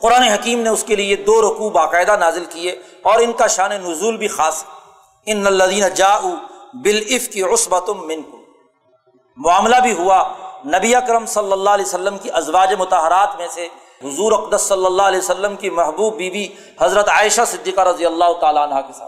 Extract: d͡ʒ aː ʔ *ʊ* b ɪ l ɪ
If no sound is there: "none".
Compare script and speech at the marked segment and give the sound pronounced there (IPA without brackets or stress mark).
u